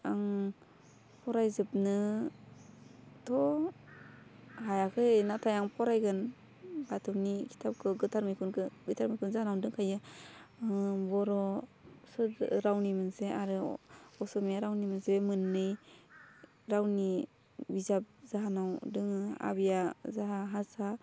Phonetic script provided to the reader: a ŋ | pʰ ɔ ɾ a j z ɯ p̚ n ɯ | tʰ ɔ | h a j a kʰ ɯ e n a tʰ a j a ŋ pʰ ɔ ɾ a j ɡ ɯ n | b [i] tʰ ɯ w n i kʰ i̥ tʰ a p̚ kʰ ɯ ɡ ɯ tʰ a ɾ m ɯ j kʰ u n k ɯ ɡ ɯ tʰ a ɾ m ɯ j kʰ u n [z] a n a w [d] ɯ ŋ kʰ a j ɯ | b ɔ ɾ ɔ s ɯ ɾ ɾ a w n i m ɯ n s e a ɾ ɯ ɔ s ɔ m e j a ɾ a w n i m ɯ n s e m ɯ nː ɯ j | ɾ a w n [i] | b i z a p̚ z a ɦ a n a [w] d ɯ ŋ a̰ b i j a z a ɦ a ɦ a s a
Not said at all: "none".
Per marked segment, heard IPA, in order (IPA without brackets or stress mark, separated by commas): a, z, d, i, w